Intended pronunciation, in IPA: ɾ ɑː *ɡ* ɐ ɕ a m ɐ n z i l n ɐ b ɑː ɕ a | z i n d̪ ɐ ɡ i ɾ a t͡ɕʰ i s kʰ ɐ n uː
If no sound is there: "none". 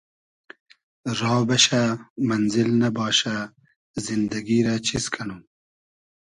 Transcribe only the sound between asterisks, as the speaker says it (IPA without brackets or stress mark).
b